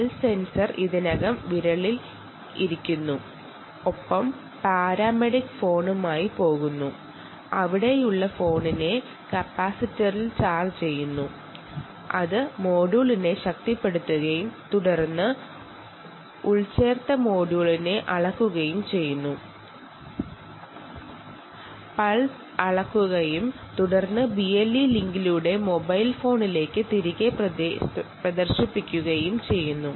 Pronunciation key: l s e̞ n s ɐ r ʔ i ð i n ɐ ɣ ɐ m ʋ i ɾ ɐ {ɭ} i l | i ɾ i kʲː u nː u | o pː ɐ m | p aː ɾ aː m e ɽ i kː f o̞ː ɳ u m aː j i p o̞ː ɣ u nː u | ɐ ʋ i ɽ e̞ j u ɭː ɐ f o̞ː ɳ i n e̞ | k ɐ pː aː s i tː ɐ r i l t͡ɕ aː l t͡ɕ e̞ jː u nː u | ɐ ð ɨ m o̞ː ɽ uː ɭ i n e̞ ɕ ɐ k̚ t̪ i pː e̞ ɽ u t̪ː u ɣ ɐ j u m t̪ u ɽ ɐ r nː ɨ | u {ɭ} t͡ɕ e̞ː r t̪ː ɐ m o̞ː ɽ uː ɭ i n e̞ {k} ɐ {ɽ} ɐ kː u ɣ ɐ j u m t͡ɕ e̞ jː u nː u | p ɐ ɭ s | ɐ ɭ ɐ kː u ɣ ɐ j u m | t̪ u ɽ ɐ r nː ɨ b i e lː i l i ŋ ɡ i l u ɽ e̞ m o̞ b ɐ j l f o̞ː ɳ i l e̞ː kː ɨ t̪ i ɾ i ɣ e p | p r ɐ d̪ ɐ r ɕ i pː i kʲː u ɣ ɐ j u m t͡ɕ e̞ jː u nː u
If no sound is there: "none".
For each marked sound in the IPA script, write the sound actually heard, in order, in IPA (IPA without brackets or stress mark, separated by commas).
ɭ, ɭ, ʔ, ɭ